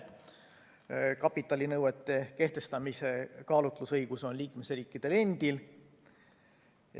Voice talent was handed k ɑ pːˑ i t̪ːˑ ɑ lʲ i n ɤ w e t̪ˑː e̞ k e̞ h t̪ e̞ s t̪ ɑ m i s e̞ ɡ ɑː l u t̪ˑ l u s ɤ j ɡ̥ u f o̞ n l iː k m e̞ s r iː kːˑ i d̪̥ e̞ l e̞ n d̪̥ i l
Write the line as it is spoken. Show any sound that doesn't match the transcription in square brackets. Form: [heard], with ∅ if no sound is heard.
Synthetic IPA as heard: k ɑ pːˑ i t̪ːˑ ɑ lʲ i n ɤ w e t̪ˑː e̞ k e̞ h t̪ e̞ s t̪ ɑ m i s e̞ [k] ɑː l u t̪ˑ l u s ɤ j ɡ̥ u [s] o̞ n l iː k m e̞ s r iː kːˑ i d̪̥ e̞ l e̞ n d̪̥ i l